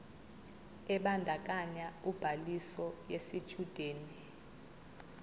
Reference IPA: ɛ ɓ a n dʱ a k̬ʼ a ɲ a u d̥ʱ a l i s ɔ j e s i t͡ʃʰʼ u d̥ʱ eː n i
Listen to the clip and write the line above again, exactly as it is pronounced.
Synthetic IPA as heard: ɛ ɓ a n dʱ a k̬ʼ a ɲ a u b̥ʱ a l i s ɔ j e s i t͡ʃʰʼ u d̥ʱ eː n i